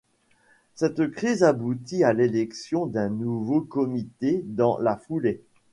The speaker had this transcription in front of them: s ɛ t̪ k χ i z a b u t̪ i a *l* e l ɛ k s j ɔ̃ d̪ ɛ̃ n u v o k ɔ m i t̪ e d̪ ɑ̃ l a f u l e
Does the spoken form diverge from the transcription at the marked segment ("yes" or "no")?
no